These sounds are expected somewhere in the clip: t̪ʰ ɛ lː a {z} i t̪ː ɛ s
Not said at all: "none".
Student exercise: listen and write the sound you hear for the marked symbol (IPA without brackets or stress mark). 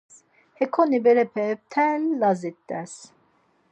z